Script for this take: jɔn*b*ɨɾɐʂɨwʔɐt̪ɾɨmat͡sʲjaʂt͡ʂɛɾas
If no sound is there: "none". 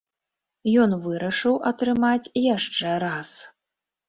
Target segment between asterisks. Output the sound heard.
v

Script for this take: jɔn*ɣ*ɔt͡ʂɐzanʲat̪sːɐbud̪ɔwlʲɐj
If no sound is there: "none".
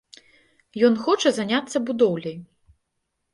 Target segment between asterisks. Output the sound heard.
x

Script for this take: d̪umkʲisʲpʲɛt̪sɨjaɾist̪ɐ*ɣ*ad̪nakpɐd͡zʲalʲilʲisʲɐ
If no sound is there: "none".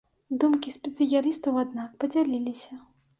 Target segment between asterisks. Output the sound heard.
w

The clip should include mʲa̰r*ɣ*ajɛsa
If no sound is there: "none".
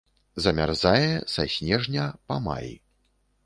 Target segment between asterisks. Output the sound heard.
z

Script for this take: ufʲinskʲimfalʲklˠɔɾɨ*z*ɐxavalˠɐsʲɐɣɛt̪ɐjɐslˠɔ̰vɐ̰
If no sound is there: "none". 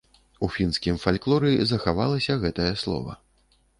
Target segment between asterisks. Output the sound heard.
z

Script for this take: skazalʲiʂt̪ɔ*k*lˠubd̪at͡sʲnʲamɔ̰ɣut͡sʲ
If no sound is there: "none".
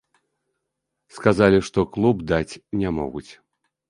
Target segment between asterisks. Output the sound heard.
k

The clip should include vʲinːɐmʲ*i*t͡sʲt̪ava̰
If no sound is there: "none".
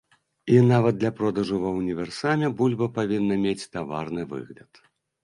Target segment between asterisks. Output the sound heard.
e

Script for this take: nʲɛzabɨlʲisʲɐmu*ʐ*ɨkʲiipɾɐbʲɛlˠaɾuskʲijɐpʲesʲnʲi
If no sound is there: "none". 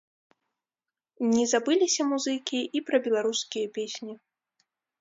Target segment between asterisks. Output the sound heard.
z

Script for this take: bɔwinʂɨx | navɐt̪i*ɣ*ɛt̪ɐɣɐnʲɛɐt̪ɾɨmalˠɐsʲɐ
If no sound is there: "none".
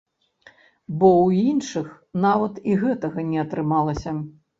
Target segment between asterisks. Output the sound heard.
ɣ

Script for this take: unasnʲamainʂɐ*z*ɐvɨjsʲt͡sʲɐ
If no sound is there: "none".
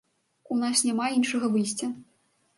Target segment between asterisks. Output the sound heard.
ɣ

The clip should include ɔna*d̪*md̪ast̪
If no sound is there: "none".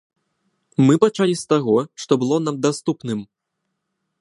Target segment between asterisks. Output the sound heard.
none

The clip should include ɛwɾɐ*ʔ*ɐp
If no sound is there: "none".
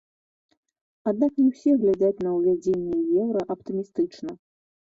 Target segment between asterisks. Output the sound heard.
ʔ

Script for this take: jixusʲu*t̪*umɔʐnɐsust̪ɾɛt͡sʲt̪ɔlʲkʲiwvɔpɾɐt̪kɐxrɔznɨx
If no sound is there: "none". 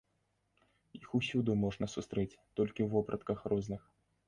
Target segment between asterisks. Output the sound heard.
d̪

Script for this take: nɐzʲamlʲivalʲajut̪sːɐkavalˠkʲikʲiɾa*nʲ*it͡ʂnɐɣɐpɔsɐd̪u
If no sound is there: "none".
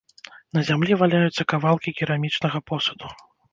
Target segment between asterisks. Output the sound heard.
mʲ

